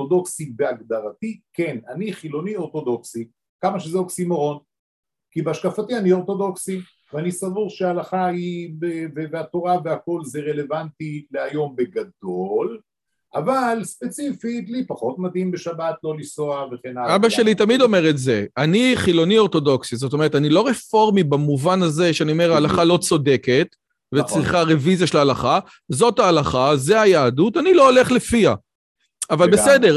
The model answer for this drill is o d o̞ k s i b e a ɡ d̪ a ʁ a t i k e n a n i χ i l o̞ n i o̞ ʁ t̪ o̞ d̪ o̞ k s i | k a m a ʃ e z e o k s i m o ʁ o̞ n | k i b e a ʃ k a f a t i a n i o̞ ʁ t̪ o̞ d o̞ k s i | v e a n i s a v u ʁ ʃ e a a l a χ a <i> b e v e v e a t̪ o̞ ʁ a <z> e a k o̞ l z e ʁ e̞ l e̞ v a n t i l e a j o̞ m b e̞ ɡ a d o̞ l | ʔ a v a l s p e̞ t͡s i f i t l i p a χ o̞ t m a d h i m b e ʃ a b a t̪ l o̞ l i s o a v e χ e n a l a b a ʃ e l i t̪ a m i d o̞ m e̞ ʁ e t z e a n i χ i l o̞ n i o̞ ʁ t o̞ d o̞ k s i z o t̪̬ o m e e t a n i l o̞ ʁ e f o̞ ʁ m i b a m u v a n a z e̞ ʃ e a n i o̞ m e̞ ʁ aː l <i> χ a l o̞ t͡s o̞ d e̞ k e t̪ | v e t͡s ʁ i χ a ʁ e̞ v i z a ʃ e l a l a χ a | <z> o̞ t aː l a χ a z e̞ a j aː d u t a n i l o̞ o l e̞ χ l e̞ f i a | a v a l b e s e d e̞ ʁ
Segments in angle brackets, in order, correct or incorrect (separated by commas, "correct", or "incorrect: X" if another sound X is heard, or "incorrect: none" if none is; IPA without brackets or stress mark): correct, incorrect: v, incorrect: a, correct